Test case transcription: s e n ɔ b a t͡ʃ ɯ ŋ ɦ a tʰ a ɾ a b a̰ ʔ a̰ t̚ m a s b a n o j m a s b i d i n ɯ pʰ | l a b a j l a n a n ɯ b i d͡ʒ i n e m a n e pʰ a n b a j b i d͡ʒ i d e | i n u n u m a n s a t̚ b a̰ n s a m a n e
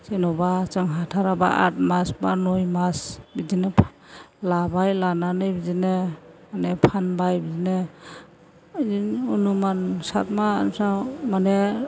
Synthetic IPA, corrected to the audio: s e n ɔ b a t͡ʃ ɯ ŋ ɦ a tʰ a ɾ a b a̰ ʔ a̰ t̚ m a s b a n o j m a s b i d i n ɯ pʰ | l a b a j l a n a n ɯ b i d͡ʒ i n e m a n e pʰ a n b a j b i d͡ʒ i n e | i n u n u m a n s a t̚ m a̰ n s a m a n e